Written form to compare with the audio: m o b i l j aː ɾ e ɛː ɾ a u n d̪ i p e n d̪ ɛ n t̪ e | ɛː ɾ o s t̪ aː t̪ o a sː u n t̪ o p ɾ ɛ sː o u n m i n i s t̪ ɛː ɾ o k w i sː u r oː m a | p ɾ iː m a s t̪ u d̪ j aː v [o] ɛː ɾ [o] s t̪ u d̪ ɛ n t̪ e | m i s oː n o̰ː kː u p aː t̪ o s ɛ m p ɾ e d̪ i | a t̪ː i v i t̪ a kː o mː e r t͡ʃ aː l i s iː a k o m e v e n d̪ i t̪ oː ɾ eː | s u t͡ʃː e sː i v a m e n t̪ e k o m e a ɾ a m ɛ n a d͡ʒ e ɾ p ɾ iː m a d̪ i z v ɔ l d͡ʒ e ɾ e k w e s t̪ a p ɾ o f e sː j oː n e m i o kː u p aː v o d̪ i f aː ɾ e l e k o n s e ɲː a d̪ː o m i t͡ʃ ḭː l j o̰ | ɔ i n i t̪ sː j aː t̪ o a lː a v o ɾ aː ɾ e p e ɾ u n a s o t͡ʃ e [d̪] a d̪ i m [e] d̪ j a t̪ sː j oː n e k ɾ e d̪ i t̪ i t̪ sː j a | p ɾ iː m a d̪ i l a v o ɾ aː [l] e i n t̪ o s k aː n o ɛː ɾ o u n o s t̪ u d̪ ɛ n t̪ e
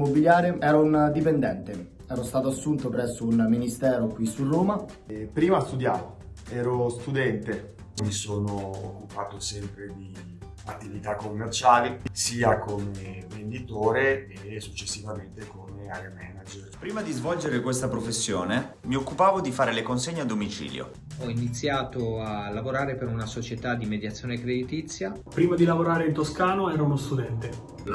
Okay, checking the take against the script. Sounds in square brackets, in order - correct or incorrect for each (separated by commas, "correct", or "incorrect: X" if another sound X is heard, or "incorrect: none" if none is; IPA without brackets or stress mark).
correct, correct, incorrect: t̪, correct, incorrect: ɾ